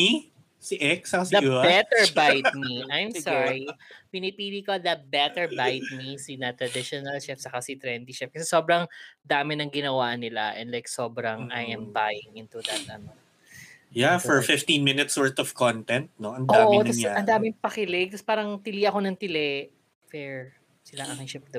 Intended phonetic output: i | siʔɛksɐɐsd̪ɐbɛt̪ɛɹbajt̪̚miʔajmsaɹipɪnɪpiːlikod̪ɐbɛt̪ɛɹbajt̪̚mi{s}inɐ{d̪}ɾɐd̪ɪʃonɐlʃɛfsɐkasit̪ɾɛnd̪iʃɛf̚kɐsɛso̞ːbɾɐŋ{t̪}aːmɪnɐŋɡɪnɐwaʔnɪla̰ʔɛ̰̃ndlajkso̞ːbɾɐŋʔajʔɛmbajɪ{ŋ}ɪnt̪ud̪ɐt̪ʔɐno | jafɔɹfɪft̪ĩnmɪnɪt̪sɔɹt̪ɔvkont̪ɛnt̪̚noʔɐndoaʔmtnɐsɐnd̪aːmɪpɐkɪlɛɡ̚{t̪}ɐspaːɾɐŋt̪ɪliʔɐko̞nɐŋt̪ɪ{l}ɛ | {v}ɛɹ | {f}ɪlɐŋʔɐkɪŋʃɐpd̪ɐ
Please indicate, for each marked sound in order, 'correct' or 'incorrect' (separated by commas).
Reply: correct, incorrect, incorrect, correct, correct, correct, incorrect, incorrect